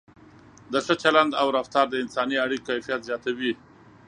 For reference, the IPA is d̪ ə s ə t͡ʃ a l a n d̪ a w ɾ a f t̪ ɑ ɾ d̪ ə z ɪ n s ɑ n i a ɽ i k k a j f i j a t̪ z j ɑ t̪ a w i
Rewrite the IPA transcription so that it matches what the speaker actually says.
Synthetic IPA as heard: d̪ ə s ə t͡ʃ a l a n d̪ a w ɾ a f t̪ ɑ ɾ d̪ ə ɪ n s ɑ n i a ɽ i k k a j f i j a t̪ z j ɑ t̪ a w i